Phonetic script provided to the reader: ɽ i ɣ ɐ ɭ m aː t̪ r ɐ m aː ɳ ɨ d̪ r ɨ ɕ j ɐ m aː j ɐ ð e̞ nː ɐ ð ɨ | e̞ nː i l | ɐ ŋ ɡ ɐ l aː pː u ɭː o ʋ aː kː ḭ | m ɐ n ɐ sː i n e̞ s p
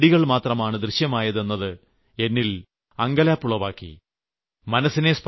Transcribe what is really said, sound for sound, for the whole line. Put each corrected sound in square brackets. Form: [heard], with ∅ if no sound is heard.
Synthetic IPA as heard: ɽ i ɣ ɐ ɭ m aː t̪ r ɐ m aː ɳ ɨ d̪ r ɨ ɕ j ɐ m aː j ɐ ð e̞ nː ɐ ð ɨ | e̞ nː i l | ɐ ŋ ɡ ɐ l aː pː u [ɭ] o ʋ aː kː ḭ | m ɐ n ɐ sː i n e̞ s p